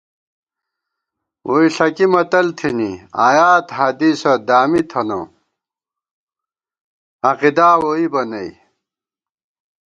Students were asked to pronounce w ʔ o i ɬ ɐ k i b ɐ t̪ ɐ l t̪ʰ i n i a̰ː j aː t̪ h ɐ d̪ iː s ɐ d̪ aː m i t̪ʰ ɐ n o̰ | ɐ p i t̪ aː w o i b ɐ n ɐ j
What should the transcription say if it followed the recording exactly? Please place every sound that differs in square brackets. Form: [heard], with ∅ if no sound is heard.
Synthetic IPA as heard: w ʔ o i ɬ ɐ k i [m] ɐ t̪ ɐ l t̪ʰ i n i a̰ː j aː t̪ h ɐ d̪ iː s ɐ d̪ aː m i t̪ʰ ɐ n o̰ | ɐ [q] i [d̪] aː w o i b ɐ n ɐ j